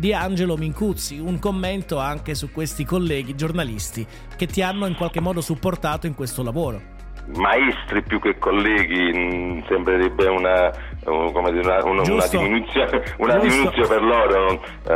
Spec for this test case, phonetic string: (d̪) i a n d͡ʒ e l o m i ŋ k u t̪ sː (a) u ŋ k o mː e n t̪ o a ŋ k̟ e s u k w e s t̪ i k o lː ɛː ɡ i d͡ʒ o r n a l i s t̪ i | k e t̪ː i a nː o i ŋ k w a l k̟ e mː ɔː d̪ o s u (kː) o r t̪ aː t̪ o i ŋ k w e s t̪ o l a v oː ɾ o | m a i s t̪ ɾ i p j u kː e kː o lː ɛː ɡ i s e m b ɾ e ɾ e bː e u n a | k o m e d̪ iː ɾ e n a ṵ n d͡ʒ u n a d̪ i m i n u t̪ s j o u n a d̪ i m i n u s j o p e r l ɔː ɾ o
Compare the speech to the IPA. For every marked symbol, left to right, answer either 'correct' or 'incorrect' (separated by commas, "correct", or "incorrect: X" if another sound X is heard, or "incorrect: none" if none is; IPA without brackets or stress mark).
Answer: correct, incorrect: i, incorrect: pː